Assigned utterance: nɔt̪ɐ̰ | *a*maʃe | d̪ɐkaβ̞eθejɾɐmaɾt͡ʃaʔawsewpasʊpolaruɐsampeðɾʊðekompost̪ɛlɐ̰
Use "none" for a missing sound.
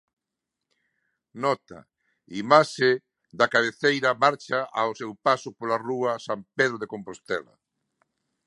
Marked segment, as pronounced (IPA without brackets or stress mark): i